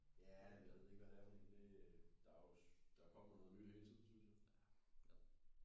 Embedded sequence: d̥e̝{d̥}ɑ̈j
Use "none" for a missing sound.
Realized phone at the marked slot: d̥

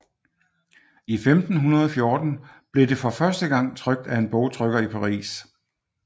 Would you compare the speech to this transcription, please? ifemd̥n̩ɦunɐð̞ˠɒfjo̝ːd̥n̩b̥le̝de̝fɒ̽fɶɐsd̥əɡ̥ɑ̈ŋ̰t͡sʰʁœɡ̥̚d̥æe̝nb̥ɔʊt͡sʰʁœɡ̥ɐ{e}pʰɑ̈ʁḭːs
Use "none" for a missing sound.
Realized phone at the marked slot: i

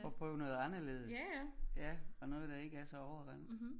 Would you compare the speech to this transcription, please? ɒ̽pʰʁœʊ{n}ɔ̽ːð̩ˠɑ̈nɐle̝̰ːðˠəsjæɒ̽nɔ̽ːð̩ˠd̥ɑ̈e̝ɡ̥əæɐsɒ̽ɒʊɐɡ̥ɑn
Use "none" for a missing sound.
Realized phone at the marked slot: n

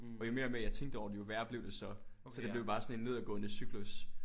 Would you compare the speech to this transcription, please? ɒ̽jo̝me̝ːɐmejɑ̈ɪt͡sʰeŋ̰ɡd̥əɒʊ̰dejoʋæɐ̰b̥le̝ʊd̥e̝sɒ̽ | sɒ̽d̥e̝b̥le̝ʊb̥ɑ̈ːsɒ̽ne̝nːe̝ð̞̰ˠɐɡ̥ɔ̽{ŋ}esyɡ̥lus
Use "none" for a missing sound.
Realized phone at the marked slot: n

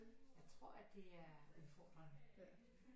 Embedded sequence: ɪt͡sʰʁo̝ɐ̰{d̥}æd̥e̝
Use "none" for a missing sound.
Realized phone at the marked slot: none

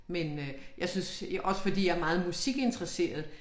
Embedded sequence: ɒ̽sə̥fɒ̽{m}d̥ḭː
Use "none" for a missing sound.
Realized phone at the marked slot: none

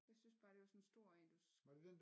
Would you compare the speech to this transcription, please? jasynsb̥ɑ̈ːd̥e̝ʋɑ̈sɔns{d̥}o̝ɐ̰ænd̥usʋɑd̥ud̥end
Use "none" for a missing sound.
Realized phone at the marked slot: d̥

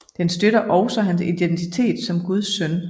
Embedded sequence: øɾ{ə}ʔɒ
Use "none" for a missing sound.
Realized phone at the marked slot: ɐ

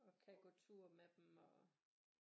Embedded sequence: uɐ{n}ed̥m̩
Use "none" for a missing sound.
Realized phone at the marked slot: m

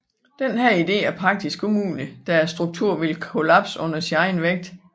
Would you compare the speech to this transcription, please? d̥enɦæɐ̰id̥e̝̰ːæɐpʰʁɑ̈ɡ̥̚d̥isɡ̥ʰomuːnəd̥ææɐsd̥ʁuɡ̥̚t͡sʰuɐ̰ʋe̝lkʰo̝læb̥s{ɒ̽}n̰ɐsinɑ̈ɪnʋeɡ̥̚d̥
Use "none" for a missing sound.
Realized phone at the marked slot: ɔ̽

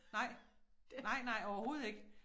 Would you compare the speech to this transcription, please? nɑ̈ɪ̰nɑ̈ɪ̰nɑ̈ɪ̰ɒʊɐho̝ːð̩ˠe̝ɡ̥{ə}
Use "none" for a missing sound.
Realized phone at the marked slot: ə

